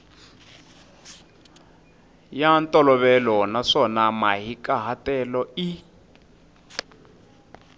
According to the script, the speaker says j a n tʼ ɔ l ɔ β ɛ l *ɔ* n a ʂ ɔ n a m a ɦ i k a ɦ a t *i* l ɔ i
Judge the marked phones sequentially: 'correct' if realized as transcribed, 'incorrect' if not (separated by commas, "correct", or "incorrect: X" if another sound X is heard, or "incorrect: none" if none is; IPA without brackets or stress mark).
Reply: correct, incorrect: ɛ